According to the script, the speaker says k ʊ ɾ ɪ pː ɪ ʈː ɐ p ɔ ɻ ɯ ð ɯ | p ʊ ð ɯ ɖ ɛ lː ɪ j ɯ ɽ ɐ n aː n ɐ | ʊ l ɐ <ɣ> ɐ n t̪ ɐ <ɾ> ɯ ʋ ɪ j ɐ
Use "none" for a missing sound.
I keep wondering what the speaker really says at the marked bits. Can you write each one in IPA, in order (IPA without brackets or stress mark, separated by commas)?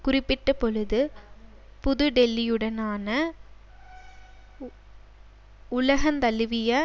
ɣ, l